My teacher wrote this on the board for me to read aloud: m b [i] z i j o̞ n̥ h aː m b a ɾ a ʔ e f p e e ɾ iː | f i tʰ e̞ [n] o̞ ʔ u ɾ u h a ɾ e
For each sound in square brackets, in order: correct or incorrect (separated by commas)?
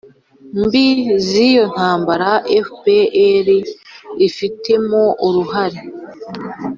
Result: correct, incorrect